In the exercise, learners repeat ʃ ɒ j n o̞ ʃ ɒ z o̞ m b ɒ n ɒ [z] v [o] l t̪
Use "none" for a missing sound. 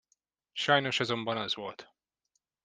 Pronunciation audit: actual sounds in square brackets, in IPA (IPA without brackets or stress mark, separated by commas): z, o